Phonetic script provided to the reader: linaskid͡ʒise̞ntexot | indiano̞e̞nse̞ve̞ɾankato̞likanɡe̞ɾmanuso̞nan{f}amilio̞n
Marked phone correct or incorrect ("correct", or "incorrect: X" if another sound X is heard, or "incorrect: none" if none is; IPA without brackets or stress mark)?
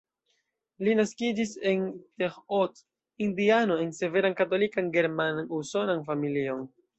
correct